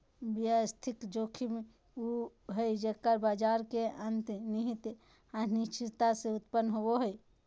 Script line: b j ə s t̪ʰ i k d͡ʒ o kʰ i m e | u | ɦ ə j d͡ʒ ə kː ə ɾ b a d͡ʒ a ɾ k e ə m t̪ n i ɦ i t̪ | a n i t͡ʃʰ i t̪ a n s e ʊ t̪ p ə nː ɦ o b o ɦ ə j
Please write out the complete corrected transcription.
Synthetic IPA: b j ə s t̪ʰ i k d͡ʒ o kʰ i m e | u | ɦ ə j d͡ʒ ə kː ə ɾ b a d͡ʒ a ɾ k e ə n t̪ n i ɦ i t̪ | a n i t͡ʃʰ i t̪ a s e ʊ t̪ p ə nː ɦ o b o ɦ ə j